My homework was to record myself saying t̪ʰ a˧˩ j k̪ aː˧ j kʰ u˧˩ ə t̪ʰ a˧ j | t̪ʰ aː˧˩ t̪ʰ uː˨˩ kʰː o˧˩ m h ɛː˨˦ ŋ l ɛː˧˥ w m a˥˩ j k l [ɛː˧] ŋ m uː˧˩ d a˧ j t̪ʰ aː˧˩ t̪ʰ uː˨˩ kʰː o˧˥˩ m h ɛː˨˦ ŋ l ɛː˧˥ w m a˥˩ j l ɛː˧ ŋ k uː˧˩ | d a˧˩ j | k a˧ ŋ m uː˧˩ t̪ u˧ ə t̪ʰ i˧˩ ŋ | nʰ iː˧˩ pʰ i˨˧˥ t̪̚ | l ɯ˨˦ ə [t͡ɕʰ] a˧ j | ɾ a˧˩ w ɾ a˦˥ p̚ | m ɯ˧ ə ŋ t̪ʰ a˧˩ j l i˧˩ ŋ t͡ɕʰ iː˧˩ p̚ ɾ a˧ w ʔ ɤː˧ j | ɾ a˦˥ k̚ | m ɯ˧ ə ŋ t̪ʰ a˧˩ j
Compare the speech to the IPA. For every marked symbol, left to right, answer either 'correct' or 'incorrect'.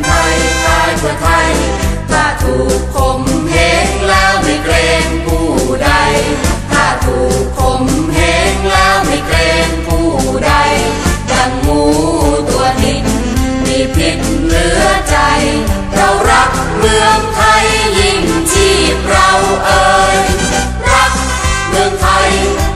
correct, incorrect

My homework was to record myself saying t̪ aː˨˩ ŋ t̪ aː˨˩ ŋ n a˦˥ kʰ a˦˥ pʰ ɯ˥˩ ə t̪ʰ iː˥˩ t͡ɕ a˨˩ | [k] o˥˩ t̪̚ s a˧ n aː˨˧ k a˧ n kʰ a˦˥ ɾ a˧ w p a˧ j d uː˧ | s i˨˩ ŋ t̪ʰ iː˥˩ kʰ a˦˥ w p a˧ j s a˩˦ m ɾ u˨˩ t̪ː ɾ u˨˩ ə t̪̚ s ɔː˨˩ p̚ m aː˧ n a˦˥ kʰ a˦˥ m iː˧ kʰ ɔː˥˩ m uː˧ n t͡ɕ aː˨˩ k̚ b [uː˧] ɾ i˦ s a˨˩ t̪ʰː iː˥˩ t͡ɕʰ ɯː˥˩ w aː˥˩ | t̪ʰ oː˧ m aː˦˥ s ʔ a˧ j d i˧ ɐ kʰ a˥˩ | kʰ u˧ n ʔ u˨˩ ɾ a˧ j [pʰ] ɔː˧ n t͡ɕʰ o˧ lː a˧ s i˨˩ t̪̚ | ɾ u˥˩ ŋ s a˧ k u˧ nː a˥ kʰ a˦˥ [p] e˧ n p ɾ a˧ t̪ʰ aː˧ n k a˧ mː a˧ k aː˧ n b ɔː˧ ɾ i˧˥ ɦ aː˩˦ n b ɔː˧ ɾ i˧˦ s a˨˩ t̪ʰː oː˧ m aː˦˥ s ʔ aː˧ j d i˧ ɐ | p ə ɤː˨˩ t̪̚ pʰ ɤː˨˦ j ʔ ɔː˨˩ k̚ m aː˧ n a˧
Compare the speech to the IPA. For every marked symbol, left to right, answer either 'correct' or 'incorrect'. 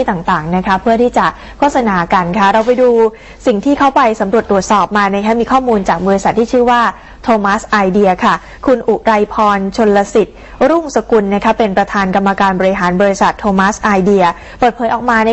incorrect, incorrect, correct, correct

